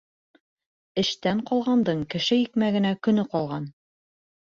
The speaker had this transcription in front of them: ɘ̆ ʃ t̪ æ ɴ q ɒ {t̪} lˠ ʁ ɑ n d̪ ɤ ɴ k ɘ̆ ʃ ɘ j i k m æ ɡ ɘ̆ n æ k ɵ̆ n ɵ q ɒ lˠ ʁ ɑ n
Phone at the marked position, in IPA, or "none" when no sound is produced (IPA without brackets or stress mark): none